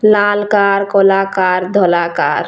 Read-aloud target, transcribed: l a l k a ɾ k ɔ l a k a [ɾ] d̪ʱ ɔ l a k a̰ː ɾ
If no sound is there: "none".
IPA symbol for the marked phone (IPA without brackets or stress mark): ɾ